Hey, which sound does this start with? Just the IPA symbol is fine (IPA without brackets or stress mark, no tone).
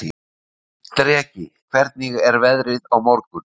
t̪